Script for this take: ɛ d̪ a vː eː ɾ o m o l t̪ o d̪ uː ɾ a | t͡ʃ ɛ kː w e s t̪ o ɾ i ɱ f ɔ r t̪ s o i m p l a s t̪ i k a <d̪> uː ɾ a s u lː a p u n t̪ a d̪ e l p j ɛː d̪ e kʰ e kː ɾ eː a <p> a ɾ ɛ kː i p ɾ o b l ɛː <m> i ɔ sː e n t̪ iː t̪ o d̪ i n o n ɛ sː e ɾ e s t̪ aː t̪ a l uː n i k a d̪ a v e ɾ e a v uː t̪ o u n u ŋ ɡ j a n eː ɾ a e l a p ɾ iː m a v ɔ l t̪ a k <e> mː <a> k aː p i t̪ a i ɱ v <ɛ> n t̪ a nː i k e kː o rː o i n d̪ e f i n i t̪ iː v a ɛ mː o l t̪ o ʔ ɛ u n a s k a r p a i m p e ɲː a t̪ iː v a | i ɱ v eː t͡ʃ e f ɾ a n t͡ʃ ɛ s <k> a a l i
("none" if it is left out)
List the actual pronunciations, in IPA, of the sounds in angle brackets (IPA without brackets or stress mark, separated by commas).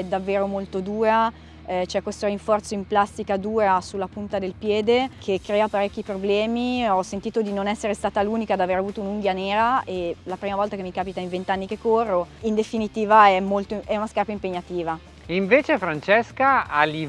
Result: d̪, p, m, e, i, e, k